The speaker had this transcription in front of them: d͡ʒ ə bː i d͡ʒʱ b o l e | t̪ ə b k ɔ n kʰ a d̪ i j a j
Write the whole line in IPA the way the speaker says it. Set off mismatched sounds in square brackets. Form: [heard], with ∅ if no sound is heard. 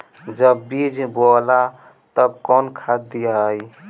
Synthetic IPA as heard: d͡ʒ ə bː i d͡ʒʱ b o l [a] | t̪ ə b k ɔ n kʰ a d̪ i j a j